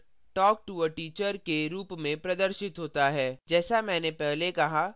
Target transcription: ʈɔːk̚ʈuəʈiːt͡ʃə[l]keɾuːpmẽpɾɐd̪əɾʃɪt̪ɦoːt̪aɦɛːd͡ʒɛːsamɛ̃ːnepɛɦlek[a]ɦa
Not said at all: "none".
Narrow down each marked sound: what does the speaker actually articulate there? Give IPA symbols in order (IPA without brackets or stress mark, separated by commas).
ɾ, ɐ